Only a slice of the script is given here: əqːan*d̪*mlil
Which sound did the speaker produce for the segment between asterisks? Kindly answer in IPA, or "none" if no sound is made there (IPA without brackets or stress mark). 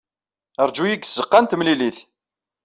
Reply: t̪